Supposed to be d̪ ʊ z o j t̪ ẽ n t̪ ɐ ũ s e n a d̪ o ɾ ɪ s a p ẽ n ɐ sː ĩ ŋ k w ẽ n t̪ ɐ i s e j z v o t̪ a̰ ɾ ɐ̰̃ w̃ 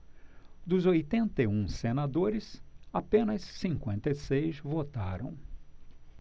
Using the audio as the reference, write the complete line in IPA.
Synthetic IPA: d̪ ʊ z o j t̪ ẽ n t̪ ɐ ũ s e n a d̪ o ɾ ɪ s a p ẽ n ɐ sː ĩ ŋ k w ẽ n t̪ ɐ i s e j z v o t̪ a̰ ɾ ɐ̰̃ w̃